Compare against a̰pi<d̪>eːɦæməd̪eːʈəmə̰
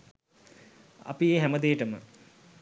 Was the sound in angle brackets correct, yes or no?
no